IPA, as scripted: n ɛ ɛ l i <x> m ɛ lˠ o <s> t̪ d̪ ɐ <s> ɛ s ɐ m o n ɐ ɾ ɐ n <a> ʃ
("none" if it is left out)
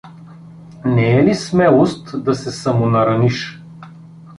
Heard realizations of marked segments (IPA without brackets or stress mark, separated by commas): s, s, s, i